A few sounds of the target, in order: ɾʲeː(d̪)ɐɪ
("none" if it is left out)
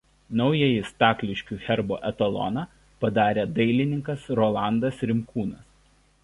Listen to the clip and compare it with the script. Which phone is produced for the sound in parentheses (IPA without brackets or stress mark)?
d̪